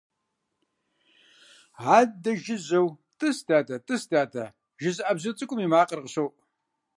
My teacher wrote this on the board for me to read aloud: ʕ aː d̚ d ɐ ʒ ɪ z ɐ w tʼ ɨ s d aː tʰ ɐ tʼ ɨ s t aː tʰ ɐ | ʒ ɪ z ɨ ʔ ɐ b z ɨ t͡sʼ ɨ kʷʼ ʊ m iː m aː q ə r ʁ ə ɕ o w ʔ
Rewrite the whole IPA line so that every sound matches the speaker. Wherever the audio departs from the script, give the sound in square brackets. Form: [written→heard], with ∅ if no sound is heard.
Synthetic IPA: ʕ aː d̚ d ɐ ʒ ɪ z ɐ w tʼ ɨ s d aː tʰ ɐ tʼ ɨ s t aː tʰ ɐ | ʒ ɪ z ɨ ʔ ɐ b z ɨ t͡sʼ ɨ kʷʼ ʊ m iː m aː q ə r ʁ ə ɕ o w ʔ

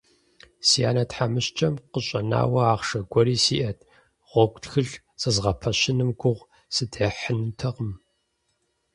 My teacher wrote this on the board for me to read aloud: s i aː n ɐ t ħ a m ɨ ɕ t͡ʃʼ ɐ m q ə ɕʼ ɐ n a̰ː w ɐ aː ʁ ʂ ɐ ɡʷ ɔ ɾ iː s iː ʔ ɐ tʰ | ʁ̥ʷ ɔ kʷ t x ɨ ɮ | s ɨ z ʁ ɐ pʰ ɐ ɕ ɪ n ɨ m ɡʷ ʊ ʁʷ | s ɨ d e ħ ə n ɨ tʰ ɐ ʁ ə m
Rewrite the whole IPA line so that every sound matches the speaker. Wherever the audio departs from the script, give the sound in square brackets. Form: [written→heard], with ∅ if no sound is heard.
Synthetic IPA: s i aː n ɐ t ħ a m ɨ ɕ t͡ʃʼ ɐ m q ə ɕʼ ɐ n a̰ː w ɐ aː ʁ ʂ ɐ ɡʷ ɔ ɾ iː s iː ʔ ɐ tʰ | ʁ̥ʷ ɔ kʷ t x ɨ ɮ | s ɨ z ʁ ɐ pʰ ɐ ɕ ɪ n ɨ m ɡʷ ʊ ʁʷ | s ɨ d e ħ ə n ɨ tʰ ɐ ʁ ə m

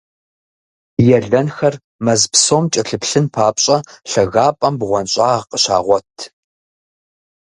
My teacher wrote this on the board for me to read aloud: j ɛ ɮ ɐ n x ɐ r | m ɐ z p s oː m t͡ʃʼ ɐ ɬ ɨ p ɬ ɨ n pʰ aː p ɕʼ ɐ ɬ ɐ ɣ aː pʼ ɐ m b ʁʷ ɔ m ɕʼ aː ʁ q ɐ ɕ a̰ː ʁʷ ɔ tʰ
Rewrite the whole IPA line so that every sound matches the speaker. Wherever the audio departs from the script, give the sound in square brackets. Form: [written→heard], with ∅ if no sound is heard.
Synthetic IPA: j ɛ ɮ ɐ n x ɐ r | m ɐ z p s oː m t͡ʃʼ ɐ ɬ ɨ p ɬ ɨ n pʰ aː p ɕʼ ɐ ɬ ɐ ɣ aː pʼ ɐ m b ʁʷ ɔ [m→n] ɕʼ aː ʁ q [ɐ→ə] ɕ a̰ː ʁʷ ɔ tʰ

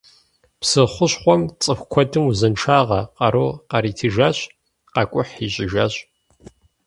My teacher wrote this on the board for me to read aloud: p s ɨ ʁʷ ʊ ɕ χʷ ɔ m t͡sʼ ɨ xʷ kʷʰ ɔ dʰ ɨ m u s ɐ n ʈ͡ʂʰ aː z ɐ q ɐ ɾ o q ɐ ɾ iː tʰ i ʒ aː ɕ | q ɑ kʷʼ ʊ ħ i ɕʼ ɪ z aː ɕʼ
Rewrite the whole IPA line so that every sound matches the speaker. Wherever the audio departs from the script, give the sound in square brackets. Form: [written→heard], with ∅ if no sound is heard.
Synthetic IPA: p s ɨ [ʁʷ→χʷ] ʊ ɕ χʷ ɔ m t͡sʼ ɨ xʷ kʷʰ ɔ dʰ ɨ m u [s→z] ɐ n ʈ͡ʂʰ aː [z→ʁ] ɐ q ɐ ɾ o q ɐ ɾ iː tʰ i ʒ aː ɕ | q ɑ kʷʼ ʊ ħ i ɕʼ ɪ [z→ʒ] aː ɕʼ

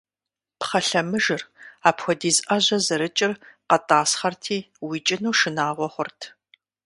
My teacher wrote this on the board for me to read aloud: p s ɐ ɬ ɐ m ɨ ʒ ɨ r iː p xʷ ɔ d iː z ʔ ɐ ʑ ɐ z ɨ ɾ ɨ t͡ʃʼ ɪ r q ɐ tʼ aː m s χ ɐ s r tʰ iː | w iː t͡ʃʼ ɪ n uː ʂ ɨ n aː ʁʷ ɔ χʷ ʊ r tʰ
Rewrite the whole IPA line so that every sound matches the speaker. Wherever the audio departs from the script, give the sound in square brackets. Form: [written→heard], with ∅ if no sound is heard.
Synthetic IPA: p [s→χ] ɐ ɬ ɐ m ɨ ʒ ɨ r [iː→aː] p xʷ ɔ d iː z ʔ ɐ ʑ ɐ z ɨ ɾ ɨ t͡ʃʼ ɪ r q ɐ tʼ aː [m→∅] s χ ɐ [s→∅] r tʰ iː | w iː t͡ʃʼ ɪ n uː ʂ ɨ n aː ʁʷ ɔ χʷ ʊ r tʰ

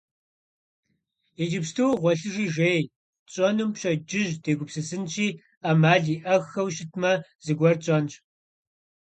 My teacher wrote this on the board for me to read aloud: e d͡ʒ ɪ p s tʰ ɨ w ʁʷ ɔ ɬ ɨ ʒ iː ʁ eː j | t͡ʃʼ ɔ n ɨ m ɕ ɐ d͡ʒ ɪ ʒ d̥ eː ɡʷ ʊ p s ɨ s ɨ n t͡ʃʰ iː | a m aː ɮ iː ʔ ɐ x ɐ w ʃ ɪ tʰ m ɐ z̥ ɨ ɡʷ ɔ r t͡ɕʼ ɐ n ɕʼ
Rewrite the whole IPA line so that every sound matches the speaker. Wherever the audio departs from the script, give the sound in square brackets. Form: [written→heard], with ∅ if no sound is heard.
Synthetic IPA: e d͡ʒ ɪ p s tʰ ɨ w ʁʷ ɔ ɬ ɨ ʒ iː [ʁ→ʒ] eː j | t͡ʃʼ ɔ n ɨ m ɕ ɐ d͡ʒ ɪ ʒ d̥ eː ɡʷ ʊ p s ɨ s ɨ n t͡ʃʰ iː | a m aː ɮ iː ʔ ɐ x ɐ w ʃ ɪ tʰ m ɐ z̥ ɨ ɡʷ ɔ r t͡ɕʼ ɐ n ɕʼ

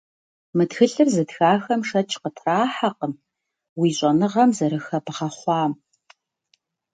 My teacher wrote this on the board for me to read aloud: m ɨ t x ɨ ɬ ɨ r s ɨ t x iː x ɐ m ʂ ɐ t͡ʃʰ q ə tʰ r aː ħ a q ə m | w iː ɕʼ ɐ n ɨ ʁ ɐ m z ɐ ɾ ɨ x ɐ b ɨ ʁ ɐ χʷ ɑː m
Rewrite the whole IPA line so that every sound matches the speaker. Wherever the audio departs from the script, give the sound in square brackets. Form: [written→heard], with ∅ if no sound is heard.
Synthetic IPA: m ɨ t x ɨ ɬ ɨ r [s→z] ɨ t x [iː→aː] x ɐ m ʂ ɐ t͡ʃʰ q ə tʰ r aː ħ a q ə m | w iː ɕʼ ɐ n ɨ ʁ ɐ m z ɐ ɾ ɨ x ɐ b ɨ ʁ ɐ χʷ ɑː m

